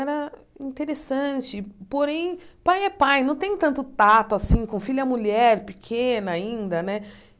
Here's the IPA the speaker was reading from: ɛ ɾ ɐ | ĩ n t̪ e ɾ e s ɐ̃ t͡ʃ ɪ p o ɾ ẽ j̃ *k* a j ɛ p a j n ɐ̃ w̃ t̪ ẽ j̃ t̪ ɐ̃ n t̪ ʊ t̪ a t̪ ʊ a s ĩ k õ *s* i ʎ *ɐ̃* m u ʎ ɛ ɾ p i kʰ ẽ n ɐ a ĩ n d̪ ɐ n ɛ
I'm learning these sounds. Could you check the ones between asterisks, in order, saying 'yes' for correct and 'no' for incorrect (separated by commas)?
no, no, no